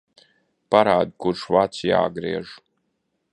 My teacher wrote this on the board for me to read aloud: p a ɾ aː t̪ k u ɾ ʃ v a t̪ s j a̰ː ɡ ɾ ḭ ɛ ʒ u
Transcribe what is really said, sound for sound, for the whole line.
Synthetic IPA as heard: p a ɾ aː d̪ k u ɾ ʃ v a t̪ s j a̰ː ɡ ɾ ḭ ɛ ʒ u